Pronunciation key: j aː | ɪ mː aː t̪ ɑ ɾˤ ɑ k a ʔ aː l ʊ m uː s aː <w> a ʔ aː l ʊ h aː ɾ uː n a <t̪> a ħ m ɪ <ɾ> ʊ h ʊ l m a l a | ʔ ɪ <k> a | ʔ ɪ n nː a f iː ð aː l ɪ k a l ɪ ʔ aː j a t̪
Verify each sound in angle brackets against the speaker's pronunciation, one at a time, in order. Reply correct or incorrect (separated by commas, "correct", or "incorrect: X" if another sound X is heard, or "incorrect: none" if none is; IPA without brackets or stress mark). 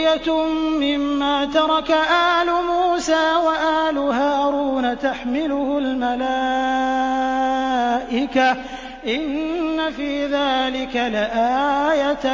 correct, correct, incorrect: l, correct